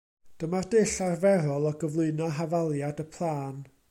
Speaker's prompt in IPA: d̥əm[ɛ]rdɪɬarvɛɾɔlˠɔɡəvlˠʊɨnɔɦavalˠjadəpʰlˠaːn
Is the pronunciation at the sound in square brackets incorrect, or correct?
incorrect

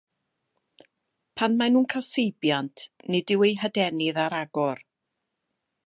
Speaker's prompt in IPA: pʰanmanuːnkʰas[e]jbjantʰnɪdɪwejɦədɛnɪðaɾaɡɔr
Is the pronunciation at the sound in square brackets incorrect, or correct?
correct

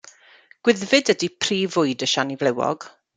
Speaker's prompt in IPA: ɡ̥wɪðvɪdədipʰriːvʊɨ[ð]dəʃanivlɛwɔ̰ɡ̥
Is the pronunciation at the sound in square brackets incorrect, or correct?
incorrect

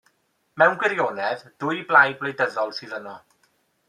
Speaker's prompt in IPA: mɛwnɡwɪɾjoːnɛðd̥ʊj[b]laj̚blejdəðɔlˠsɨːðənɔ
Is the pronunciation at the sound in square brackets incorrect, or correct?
correct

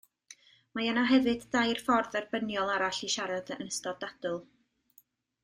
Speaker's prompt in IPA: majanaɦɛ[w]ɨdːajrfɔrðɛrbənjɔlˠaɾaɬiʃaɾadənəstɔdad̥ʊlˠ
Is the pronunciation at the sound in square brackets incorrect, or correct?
incorrect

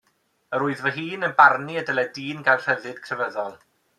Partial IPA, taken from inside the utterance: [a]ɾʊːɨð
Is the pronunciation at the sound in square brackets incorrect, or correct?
incorrect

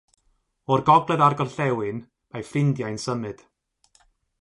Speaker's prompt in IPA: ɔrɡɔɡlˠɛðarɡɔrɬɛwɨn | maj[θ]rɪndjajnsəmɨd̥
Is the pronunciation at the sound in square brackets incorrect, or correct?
incorrect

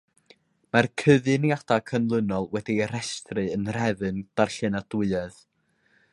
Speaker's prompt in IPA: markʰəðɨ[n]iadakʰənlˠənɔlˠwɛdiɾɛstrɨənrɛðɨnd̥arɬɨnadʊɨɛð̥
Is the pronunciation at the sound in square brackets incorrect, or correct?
correct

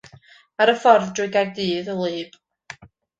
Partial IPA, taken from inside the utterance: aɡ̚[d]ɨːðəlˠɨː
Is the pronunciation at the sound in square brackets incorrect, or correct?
correct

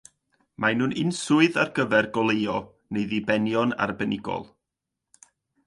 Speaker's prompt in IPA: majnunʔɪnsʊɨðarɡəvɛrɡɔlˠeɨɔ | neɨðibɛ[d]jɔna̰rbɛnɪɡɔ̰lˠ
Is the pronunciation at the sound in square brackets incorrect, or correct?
incorrect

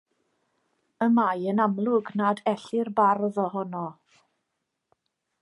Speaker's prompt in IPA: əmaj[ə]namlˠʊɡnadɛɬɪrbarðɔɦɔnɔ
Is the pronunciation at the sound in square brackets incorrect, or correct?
correct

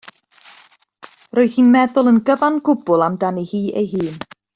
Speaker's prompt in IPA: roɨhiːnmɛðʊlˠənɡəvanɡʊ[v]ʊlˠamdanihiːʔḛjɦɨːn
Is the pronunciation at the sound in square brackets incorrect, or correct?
incorrect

